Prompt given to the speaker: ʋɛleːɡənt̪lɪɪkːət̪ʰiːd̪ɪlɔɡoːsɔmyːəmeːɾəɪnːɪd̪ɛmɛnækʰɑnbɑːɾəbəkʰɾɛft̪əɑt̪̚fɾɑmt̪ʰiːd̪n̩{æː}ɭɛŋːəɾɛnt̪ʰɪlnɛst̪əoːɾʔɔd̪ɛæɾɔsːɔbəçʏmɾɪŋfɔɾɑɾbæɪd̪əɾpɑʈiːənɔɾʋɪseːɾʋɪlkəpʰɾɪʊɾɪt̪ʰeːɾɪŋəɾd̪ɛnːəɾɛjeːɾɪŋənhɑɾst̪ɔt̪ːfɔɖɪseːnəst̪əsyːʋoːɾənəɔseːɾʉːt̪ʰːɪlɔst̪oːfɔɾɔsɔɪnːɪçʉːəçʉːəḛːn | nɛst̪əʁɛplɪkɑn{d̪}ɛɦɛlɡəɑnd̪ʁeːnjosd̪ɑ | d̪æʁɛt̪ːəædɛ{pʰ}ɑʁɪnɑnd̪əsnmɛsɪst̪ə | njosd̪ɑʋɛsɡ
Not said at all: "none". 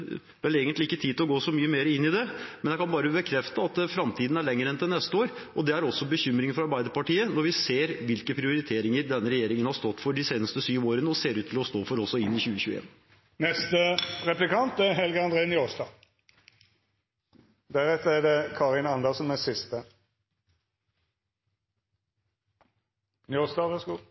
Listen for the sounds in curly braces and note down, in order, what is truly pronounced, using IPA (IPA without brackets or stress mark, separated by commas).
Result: æ, t̪, kʰ